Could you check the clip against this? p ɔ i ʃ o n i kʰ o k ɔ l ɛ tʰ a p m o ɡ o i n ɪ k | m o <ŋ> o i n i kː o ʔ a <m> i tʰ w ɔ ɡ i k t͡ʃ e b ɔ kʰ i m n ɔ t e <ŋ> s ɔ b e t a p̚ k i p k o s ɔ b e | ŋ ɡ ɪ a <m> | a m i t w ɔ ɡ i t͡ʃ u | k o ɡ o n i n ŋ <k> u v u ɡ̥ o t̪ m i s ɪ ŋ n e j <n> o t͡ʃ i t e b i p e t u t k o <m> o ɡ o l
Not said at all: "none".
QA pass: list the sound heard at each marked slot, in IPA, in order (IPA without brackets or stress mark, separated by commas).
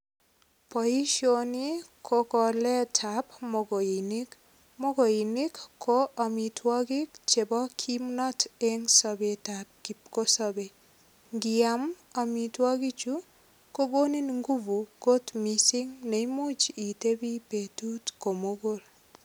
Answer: ɡ, m, ŋ, m, ɡ, m, m